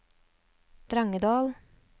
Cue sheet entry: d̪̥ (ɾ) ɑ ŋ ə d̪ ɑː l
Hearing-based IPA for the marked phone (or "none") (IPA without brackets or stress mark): ɾ